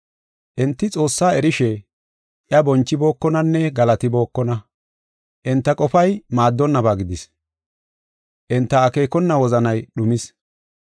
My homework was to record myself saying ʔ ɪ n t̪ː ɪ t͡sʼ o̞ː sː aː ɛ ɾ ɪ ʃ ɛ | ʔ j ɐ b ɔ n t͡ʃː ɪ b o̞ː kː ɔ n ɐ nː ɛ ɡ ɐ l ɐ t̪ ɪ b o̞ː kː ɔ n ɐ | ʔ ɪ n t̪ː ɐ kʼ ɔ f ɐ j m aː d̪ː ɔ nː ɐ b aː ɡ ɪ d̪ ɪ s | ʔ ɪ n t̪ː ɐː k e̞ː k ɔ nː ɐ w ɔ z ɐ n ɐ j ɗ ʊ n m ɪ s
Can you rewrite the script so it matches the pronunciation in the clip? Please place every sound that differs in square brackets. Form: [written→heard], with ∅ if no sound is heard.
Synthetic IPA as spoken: ʔ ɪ n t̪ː ɪ t͡sʼ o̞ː sː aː ɛ ɾ ɪ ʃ ɛ | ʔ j ɐ b ɔ n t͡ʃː ɪ b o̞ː kː ɔ n ɐ nː ɛ ɡ ɐ l ɐ t̪ ɪ b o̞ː kː ɔ n ɐ | ʔ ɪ n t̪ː ɐ kʼ ɔ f ɐ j m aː d̪ː ɔ nː ɐ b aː ɡ ɪ d̪ ɪ s | ʔ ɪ n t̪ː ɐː k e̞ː k ɔ nː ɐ w ɔ z ɐ n ɐ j ɗ ʊ [n→∅] m ɪ s